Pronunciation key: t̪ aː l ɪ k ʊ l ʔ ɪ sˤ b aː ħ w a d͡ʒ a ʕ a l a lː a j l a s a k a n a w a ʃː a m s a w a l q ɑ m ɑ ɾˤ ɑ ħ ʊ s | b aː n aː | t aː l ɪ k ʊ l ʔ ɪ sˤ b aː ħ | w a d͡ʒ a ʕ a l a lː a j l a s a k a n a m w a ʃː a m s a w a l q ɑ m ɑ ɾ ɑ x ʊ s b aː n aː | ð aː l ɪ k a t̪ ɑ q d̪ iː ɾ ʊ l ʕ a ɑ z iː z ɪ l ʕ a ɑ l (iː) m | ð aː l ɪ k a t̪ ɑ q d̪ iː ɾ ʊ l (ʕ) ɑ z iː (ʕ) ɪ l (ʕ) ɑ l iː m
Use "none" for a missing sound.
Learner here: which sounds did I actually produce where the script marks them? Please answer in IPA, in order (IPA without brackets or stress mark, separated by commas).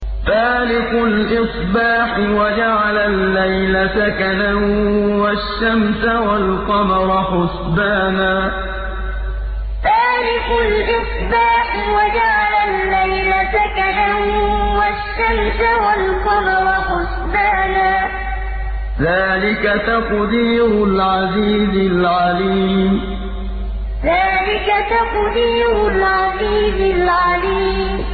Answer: iː, ʕ, z, ʕ